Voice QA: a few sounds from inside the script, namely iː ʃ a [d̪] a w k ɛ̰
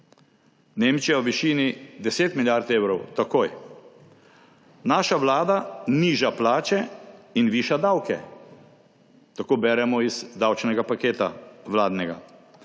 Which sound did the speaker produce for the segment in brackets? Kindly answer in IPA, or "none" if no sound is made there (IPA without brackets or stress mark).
d̪